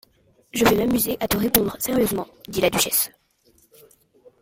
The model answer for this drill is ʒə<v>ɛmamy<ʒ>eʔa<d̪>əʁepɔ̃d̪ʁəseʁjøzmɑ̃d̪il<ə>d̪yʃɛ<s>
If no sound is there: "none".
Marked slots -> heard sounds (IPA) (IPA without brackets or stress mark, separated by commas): v, z, t̪, a, s